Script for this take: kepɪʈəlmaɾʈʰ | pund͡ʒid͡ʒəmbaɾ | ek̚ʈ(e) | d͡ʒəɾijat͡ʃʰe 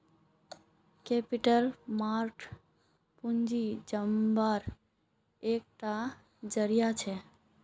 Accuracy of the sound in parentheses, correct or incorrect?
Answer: incorrect: a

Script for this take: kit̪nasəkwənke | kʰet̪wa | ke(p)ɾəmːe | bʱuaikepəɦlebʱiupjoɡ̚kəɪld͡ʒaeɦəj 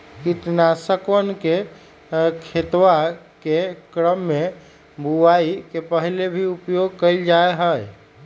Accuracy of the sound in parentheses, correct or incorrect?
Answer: incorrect: k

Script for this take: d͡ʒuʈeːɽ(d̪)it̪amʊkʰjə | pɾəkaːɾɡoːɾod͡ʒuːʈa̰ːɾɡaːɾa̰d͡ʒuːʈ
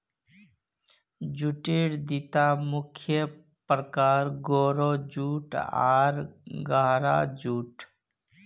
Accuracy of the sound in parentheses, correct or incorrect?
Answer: correct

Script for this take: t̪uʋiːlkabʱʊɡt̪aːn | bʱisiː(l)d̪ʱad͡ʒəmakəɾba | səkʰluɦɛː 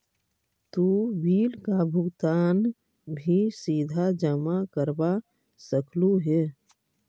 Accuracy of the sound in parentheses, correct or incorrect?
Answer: incorrect: none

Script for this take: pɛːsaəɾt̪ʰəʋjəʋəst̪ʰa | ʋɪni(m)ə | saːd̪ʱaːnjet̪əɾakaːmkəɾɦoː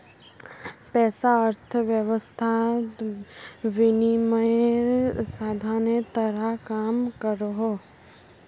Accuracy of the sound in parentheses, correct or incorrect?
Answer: correct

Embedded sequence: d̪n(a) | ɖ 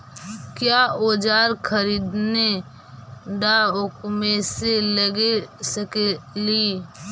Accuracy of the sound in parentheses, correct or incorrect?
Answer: incorrect: e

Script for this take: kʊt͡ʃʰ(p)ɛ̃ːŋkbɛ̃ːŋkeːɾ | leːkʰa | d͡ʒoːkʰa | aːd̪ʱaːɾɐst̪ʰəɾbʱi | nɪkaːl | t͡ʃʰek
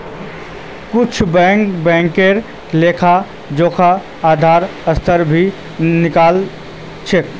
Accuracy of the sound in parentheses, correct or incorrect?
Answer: incorrect: b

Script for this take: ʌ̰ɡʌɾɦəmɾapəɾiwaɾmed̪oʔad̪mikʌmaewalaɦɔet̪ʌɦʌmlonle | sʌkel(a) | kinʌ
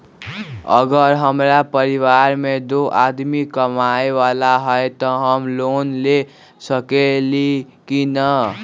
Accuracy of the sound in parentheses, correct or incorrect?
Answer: incorrect: i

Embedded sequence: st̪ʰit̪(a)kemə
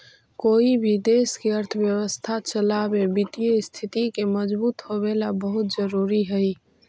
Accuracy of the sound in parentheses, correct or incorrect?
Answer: incorrect: i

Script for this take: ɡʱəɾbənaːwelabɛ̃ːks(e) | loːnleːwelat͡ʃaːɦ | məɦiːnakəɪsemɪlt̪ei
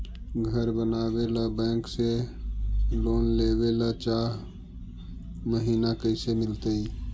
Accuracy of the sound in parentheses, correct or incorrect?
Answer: correct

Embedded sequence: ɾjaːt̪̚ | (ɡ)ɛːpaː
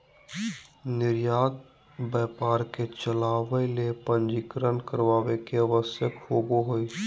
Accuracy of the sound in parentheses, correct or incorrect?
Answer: incorrect: b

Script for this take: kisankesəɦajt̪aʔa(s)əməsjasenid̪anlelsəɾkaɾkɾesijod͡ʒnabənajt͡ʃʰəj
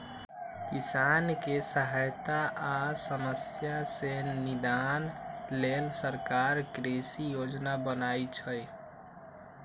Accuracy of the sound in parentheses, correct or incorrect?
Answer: correct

